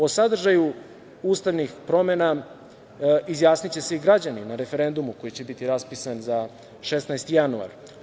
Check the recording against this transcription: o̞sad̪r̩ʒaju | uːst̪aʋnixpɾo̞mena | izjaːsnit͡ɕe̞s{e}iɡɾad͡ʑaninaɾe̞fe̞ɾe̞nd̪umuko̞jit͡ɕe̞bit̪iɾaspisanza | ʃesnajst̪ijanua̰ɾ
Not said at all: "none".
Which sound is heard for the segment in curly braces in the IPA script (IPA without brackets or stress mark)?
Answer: e